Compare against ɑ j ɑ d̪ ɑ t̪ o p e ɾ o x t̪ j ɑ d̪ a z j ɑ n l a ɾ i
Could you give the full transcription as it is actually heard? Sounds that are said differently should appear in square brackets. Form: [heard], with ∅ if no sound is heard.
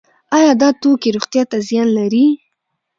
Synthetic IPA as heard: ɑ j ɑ d̪ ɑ t̪ o [k] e ɾ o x t̪ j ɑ [t̪] a z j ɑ n l a ɾ i

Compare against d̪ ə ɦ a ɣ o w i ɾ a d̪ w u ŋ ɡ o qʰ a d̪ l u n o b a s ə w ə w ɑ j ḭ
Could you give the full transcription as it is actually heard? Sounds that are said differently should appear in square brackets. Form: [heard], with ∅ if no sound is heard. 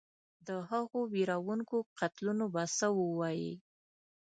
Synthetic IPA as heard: d̪ ə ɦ a ɣ o w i ɾ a [∅] w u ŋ [k] o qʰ a [t̪] l u n o b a s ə w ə w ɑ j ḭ

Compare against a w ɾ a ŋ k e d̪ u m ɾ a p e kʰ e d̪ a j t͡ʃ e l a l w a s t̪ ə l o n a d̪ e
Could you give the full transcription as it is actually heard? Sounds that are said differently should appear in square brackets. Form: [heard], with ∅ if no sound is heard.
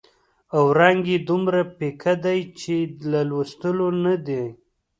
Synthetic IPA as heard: a w ɾ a ŋ [ɡ] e d̪ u m ɾ a p e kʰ [a] d̪ a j t͡ʃ e l a l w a s t̪ ə l o n a d̪ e

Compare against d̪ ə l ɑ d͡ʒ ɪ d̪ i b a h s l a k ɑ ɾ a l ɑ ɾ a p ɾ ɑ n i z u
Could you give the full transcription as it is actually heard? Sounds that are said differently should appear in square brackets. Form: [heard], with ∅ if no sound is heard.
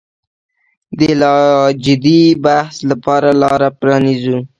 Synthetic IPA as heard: d̪ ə l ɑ d͡ʒ ɪ d̪ i b a h s l a [p] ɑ ɾ a l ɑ ɾ a p ɾ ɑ n i z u

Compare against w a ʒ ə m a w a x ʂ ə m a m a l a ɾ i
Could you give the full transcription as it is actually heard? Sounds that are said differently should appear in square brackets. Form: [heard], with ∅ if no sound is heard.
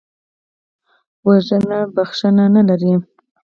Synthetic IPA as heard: w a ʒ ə [n] a [b] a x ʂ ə [n] a [n] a l a ɾ i

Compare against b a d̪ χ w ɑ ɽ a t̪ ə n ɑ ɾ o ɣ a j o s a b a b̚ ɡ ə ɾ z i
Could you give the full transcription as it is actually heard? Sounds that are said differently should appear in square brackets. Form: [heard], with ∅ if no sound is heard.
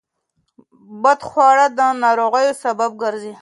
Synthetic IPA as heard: b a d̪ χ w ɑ ɽ a [d̪] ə n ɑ ɾ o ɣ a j o s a b a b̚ ɡ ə ɾ z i

